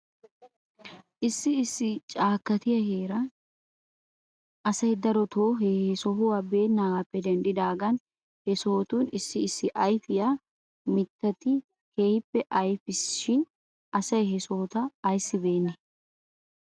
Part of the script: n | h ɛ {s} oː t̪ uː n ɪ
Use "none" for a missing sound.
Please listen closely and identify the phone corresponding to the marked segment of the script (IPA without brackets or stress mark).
s